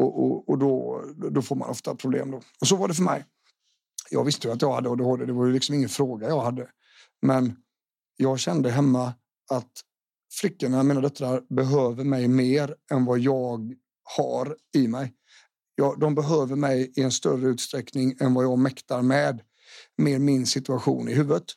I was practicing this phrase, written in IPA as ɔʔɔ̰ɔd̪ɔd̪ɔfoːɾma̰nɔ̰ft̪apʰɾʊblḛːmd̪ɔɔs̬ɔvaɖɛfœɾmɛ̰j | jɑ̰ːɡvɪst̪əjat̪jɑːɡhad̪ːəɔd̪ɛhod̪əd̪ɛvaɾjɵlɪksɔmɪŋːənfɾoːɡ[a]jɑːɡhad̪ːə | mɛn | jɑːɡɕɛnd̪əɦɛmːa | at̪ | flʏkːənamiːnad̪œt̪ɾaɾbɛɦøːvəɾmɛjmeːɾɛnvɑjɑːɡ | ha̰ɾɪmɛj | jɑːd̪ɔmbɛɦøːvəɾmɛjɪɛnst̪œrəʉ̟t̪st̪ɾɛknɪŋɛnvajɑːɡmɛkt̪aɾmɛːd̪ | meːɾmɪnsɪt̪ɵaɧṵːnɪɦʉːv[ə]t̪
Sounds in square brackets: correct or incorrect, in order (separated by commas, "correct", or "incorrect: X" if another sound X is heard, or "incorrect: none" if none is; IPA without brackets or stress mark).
correct, correct